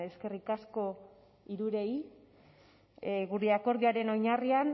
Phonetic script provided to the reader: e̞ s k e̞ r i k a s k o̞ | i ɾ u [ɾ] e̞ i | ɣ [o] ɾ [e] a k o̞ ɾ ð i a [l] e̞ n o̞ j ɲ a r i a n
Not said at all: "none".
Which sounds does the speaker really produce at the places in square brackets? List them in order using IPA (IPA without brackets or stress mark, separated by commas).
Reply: ɾ, u, e, ɾ